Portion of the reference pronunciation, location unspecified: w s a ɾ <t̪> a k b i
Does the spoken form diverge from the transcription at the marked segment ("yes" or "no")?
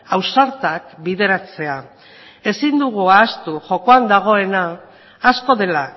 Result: no